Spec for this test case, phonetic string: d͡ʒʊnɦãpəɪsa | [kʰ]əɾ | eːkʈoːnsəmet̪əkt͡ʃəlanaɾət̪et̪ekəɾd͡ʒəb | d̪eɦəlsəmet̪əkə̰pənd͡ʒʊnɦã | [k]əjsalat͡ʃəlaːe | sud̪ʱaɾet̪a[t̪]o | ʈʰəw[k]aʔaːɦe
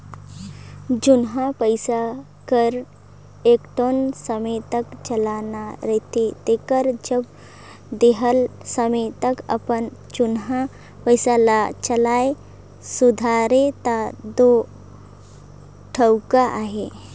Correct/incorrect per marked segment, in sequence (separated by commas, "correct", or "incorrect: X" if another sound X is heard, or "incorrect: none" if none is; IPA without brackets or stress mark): incorrect: k, incorrect: p, incorrect: d̪, correct